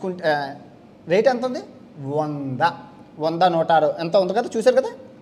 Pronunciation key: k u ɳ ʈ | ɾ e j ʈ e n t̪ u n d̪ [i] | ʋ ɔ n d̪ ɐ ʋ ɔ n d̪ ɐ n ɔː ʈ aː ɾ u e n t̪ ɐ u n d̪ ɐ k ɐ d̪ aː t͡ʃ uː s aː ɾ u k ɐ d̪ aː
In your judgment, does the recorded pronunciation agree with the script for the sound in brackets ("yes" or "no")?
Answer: yes